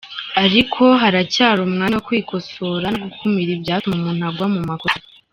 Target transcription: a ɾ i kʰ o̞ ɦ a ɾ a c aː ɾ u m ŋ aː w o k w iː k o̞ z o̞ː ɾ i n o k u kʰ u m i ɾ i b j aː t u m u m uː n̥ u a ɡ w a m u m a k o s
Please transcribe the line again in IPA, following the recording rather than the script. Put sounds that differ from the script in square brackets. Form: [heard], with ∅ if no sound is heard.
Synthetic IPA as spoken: a ɾ i kʰ o̞ ɦ a ɾ a c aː ɾ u m ŋ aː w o k w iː k o̞ [s] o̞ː ɾ [a] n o [ɡ] u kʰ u m i ɾ i b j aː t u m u m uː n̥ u a ɡ w a m u m a k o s